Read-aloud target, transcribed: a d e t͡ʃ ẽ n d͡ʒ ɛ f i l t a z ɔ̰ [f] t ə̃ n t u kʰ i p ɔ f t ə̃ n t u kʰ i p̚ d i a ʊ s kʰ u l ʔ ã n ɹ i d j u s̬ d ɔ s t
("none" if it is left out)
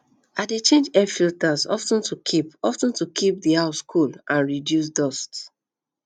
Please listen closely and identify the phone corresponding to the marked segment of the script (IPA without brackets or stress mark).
f